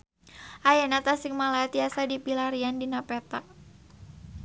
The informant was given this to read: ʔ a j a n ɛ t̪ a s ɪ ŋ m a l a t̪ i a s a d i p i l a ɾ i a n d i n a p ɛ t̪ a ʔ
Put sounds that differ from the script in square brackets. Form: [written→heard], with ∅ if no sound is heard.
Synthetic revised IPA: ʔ a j a n [ɛ→a] t̪ a s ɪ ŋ m a l a t̪ i a s a d i p i l a ɾ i a n d i n a p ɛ t̪ a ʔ